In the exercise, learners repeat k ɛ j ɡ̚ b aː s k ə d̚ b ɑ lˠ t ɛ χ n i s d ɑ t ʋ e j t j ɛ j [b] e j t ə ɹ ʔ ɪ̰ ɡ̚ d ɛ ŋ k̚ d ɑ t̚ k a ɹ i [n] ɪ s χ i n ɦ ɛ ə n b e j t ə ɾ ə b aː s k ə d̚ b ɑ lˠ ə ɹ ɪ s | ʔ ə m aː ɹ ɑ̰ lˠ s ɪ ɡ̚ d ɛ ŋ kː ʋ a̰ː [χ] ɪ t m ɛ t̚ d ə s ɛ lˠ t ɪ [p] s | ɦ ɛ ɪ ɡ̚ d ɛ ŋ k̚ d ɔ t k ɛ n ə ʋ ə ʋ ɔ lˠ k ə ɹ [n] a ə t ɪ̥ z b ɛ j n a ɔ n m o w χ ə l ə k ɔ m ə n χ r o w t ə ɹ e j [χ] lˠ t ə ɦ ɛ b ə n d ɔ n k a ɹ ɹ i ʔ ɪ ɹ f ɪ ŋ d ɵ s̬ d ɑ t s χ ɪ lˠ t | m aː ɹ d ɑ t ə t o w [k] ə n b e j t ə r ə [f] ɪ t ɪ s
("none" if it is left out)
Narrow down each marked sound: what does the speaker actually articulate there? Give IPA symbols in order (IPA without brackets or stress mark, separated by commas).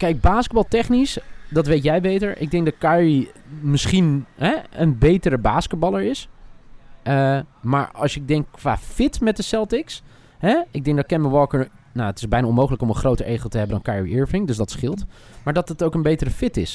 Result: b, m, f, k, n, χ, k, f